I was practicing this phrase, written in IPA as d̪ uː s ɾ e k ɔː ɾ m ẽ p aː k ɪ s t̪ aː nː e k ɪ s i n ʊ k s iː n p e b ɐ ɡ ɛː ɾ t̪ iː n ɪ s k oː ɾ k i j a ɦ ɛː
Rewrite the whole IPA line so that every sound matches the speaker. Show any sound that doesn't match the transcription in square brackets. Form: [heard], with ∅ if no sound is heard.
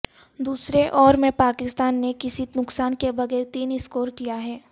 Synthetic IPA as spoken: d̪ uː s ɾ e [ʔ] ɔː ɾ m ẽ p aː k ɪ s t̪ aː nː e k ɪ s i n ʊ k s [aː] n [k] e b ɐ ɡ ɛː ɾ t̪ iː n ɪ s k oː ɾ k i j a ɦ ɛː